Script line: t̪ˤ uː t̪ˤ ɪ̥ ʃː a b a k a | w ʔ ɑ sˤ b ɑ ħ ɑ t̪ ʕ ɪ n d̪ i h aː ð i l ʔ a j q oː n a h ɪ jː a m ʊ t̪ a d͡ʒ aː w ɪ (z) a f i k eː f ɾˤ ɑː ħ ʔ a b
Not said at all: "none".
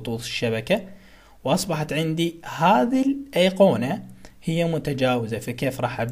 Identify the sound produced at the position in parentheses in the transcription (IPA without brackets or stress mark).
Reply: z